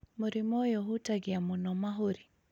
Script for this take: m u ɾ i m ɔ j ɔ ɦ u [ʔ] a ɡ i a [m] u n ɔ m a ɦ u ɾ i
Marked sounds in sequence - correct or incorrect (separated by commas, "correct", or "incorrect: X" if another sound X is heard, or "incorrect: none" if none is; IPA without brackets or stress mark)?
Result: incorrect: t, correct